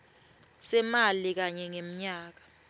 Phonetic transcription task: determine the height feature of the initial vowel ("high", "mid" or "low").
mid